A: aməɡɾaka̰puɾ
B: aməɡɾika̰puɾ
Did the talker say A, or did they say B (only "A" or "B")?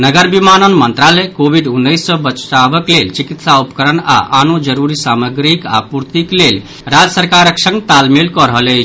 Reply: B